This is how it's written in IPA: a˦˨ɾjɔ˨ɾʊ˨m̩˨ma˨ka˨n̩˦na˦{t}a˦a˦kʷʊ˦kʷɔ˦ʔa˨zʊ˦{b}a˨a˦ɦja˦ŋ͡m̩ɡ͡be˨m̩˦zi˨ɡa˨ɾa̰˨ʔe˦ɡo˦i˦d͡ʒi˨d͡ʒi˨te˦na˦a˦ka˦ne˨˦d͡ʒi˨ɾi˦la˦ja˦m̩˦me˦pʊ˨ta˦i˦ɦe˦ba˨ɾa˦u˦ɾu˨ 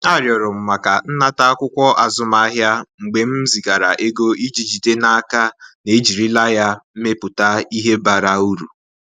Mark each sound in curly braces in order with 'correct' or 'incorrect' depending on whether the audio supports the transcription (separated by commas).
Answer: correct, incorrect